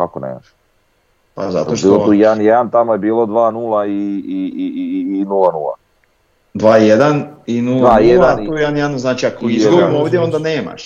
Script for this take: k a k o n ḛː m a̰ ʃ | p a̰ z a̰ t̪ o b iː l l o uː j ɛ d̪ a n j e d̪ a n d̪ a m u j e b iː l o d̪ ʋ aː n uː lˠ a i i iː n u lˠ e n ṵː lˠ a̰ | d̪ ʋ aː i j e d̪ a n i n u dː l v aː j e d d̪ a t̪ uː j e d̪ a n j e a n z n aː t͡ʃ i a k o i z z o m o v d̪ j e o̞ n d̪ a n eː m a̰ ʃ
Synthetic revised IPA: k a k o n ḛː m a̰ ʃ | p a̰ z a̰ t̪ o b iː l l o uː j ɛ d̪ a n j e d̪ a n t̪ a m o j e b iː l o d̪ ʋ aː n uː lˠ a i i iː n u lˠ a n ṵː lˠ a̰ | d̪ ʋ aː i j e d̪ a n i n u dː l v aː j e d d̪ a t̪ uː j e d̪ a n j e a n z n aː t͡ʃ i a k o i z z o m o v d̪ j e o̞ n d̪ a n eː m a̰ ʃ